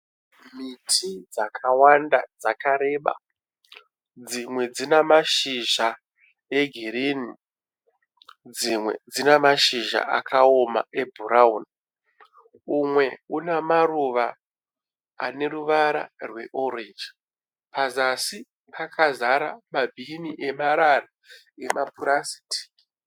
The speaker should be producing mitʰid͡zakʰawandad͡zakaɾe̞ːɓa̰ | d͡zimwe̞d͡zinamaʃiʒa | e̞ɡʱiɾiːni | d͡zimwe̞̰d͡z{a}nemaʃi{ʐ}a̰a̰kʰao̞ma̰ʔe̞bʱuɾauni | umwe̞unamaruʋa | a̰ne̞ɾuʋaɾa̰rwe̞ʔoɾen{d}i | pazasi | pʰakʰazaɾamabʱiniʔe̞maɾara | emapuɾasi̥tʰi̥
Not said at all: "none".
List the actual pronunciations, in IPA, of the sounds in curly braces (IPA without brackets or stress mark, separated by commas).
i, ʒ, d͡ʒ